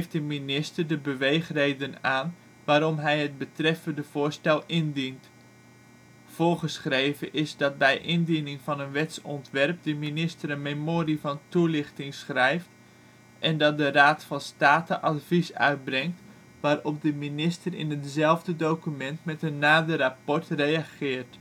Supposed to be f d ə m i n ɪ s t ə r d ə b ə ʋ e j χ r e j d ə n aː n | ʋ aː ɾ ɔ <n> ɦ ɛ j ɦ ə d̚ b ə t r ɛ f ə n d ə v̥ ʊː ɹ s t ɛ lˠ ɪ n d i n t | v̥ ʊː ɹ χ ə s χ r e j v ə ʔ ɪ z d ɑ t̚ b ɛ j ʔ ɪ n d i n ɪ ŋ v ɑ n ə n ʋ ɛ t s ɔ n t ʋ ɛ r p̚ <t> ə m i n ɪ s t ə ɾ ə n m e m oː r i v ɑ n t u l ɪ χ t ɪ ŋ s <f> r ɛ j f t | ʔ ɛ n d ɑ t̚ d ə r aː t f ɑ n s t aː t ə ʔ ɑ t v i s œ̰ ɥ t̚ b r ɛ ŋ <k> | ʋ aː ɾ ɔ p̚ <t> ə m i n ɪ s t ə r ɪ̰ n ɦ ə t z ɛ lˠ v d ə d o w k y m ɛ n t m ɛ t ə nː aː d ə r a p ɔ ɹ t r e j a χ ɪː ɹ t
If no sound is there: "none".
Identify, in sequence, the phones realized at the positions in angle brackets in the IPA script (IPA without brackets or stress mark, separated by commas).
m, d, χ, t, d